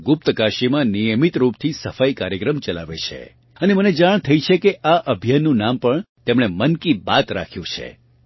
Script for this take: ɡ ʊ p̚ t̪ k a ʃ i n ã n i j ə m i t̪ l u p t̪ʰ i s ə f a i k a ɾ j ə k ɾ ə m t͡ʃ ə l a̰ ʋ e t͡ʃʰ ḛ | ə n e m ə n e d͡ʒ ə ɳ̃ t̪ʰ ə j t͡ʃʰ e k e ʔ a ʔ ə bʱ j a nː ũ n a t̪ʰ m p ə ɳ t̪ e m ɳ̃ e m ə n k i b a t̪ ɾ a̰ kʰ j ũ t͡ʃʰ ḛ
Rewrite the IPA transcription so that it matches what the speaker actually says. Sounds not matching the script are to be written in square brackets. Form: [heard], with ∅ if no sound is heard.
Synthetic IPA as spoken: ɡ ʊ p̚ t̪ k a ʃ i [m] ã n i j ə m i t̪ [ɾ] u p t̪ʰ i s ə f a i k a ɾ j ə k ɾ ə m t͡ʃ ə l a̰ ʋ e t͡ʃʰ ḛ | ə n e m ə n e d͡ʒ [a] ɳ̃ t̪ʰ ə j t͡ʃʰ e k e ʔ a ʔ ə bʱ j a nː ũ n a [∅] m p ə ɳ t̪ e m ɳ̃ e m ə n k i b a t̪ ɾ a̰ kʰ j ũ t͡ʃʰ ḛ